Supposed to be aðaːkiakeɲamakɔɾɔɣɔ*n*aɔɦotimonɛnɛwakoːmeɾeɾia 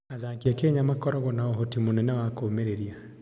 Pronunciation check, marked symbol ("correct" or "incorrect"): correct